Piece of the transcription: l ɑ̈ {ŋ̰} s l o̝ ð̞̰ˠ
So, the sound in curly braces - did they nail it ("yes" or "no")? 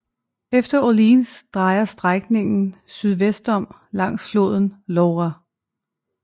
yes